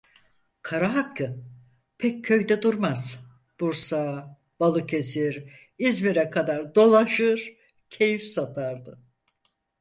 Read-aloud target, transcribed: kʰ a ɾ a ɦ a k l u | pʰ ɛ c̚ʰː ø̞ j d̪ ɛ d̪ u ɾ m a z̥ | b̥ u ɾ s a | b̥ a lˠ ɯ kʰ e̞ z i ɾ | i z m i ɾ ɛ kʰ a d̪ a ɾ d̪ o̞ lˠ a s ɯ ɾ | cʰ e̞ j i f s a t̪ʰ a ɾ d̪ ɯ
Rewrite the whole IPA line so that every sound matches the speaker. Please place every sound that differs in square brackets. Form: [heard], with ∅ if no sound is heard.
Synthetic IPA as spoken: kʰ a ɾ a ɦ a k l [ɯ] | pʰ ɛ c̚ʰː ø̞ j d̪ ɛ d̪ u ɾ m a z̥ | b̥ u ɾ s a | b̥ a lˠ ɯ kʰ e̞ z i ɾ | i z m i ɾ ɛ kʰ a d̪ a ɾ d̪ o̞ lˠ a [ʃ] ɯ ɾ | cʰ e̞ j i f s a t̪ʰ a ɾ d̪ ɯ